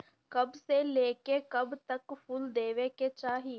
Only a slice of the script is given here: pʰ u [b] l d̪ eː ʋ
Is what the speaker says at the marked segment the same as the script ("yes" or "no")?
no